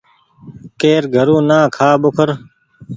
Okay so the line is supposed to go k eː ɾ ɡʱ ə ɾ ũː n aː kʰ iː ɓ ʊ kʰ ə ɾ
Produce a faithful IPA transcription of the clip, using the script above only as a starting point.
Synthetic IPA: k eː ɾ ɡʱ ə ɾ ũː n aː kʰ aː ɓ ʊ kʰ ə ɾ